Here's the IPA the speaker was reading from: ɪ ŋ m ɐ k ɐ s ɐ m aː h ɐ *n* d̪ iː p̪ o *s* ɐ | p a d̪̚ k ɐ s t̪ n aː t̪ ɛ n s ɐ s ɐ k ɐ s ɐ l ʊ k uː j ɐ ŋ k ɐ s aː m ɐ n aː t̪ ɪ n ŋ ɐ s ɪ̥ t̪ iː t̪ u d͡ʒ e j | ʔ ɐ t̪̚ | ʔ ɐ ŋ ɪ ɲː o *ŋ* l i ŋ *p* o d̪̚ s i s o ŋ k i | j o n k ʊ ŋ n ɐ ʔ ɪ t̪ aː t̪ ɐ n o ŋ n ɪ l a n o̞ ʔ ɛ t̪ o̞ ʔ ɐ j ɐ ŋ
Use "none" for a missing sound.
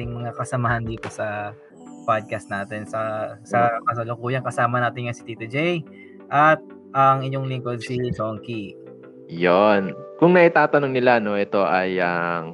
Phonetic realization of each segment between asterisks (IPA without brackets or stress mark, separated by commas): n, s, ŋ, k